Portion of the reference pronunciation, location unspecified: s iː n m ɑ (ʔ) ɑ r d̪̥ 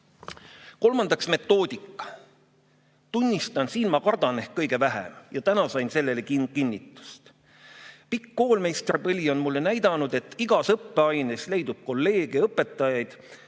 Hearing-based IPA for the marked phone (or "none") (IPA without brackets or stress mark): k